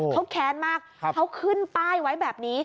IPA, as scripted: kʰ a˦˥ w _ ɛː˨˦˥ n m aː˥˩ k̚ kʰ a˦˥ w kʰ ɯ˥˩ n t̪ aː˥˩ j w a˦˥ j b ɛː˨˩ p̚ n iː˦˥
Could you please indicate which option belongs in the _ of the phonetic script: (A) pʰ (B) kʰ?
B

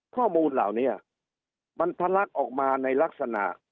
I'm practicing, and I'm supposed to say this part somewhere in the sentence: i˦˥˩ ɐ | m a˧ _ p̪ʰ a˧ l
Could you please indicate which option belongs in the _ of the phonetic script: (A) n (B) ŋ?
A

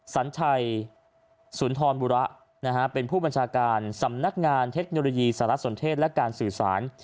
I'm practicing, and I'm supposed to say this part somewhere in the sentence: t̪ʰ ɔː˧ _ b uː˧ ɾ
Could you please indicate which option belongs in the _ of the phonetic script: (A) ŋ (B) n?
B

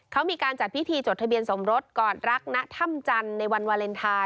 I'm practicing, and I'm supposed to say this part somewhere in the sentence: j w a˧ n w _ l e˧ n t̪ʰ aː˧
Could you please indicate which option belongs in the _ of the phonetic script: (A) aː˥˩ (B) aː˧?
B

